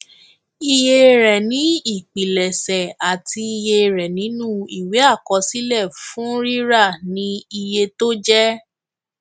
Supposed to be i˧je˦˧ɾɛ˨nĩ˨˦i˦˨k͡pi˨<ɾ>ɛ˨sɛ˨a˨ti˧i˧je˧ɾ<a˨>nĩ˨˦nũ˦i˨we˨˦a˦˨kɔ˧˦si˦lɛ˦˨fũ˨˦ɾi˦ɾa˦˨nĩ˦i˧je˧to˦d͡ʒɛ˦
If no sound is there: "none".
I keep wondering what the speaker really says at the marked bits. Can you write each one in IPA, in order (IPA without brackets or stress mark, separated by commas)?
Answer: l, ɛ˨